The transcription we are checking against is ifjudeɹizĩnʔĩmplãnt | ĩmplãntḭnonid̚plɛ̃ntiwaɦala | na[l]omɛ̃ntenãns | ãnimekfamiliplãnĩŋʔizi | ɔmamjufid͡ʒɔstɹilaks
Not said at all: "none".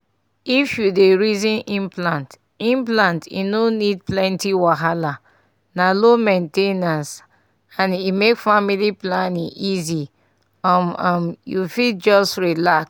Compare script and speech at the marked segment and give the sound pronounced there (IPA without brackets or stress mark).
l